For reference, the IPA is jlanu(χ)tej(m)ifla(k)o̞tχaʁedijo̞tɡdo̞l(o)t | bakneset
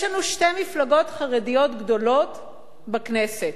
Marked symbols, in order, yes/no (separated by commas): no, yes, no, yes